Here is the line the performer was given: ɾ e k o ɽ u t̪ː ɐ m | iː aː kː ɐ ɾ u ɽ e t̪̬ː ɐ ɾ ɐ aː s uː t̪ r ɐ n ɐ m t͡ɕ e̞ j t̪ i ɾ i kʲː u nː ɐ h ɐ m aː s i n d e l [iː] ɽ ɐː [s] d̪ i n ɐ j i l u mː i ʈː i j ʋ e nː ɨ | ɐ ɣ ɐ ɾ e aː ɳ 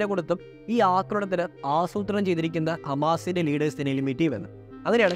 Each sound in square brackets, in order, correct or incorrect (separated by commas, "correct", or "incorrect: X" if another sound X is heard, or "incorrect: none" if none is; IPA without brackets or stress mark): correct, correct